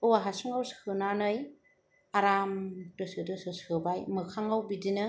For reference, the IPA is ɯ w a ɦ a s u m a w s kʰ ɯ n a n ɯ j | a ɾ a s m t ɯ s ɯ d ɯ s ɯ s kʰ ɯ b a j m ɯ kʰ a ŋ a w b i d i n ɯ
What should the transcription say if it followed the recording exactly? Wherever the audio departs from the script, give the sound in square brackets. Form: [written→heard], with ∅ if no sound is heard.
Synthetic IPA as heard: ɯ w a ɦ a s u [m→ŋ] a w s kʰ ɯ n a n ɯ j | a ɾ a [s→∅] m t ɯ s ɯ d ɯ s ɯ s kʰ ɯ b a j m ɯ kʰ a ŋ a w b i d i n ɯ